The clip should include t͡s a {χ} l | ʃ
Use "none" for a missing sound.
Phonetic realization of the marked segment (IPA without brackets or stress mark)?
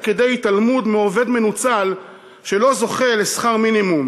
none